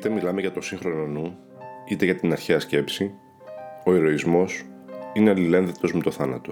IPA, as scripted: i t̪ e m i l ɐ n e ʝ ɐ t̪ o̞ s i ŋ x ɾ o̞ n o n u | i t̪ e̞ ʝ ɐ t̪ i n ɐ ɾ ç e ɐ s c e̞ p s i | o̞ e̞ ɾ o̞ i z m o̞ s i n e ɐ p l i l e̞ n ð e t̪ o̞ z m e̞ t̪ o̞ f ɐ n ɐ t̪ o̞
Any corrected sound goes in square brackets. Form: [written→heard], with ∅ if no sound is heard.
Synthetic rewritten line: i t̪ e m i l ɐ [n→m] e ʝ ɐ t̪ o̞ s i ŋ x ɾ o̞ n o n u | i t̪ e̞ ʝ ɐ t̪ i n ɐ ɾ ç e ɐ s c e̞ p s i | o̞ e̞ ɾ o̞ i z m o̞ s i n e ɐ [p→∅] l i l e̞ n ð e t̪ o̞ z m e̞ t̪ o̞ [f→θ] ɐ n ɐ t̪ o̞